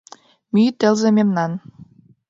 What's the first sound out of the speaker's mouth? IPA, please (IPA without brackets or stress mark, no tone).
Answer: m